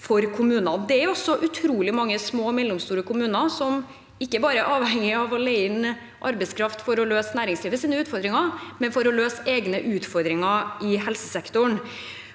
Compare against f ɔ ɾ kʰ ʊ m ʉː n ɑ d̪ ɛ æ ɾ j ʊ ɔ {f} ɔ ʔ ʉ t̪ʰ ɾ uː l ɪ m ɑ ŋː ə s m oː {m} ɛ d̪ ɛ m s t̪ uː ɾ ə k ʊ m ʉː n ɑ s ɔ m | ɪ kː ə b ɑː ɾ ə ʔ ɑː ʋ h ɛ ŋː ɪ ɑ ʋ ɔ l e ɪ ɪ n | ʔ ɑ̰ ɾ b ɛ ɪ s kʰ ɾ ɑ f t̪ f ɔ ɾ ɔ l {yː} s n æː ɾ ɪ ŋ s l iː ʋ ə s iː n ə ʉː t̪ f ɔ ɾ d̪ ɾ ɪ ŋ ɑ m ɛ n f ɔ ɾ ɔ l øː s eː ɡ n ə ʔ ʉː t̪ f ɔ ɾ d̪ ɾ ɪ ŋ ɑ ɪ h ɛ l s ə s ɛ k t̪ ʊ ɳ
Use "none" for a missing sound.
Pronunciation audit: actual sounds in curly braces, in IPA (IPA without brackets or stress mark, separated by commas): s, m, øː